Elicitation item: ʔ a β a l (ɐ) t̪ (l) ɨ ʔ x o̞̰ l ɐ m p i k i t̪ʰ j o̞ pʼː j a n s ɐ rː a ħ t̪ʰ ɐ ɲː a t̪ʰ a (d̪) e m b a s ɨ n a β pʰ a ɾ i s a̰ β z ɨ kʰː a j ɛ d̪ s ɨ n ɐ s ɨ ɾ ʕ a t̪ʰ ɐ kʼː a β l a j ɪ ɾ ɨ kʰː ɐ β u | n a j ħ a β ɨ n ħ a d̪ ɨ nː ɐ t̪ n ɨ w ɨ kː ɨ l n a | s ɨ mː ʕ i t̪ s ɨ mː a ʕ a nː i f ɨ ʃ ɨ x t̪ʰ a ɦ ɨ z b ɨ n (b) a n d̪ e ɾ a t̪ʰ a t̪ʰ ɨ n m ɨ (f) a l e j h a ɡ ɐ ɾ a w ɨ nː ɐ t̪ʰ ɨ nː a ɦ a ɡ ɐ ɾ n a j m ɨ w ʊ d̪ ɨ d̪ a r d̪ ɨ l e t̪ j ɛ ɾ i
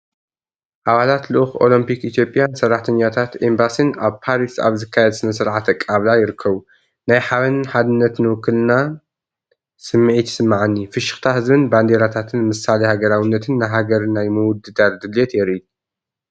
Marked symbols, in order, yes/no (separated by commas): no, yes, no, yes, no